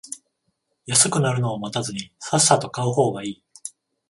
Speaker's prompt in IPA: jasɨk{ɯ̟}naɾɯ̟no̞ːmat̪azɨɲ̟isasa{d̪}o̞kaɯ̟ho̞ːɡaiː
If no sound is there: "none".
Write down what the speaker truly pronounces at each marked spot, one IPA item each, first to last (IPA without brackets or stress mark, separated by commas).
ɯ̟, t̪